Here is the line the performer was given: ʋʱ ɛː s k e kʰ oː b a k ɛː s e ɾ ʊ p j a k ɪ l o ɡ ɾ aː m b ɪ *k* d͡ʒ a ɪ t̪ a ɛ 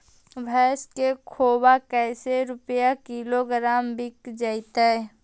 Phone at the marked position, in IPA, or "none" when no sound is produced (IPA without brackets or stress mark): k